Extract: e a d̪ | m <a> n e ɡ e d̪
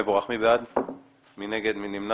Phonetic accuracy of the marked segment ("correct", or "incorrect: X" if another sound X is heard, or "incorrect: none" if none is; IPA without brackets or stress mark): incorrect: i